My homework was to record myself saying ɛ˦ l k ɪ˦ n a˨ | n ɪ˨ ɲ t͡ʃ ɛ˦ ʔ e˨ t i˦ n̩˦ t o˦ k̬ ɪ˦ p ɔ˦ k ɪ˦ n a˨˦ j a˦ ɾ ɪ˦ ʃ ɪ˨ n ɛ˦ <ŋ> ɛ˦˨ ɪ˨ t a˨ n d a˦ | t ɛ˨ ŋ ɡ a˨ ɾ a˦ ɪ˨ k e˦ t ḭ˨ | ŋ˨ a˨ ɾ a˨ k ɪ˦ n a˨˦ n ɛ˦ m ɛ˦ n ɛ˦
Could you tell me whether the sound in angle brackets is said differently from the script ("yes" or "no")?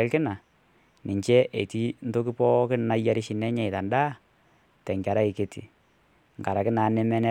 yes